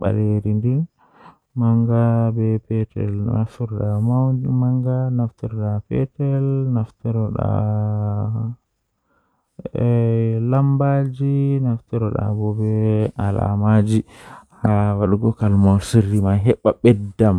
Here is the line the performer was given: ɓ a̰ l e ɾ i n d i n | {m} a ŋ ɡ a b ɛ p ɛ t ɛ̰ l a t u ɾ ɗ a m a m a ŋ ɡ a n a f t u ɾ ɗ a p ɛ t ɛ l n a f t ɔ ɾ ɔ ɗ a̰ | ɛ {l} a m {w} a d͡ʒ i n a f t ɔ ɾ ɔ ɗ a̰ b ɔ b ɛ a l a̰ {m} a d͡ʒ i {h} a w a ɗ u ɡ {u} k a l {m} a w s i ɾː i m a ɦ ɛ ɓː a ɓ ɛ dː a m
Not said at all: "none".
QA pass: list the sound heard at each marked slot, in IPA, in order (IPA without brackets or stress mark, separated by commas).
m, l, b, m, h, ɔ, m